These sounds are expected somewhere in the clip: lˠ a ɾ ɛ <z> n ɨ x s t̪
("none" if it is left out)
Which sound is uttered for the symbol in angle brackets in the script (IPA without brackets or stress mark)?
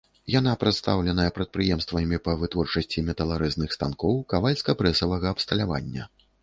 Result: z